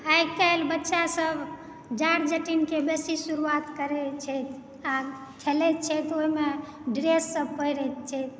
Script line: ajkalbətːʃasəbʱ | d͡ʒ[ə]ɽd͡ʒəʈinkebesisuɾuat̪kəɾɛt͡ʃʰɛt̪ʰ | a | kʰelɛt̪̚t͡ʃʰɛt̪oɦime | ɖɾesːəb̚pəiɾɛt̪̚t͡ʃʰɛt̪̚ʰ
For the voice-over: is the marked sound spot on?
no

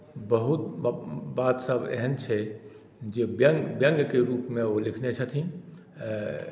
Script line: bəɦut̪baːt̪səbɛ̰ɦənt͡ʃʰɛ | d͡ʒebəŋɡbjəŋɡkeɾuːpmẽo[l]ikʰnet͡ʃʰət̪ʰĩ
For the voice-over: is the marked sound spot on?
yes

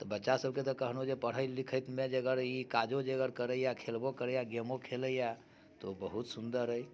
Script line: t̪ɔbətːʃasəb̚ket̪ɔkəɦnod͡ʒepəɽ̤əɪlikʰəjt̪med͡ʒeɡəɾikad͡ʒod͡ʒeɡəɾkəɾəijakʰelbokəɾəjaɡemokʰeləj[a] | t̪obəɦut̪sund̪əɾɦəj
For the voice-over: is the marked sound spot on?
yes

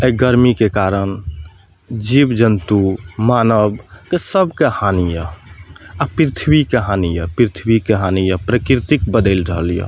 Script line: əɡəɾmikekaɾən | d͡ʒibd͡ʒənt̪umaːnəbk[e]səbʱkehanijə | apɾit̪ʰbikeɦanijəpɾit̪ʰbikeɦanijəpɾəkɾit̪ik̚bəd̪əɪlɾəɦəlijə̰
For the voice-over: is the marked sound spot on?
yes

